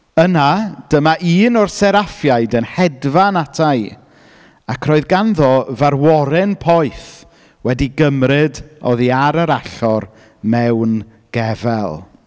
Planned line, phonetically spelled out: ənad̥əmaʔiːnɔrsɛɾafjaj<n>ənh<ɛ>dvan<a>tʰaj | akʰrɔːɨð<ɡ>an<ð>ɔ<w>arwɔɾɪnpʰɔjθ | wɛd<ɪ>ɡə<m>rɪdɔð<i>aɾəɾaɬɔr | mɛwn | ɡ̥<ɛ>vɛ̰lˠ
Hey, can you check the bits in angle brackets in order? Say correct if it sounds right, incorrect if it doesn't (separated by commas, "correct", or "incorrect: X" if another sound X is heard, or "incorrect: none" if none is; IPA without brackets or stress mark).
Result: incorrect: d, correct, correct, correct, correct, incorrect: v, incorrect: i, correct, correct, correct